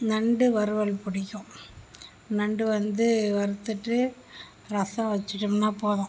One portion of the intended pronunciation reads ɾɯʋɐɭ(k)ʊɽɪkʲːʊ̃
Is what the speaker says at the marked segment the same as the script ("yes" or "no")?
no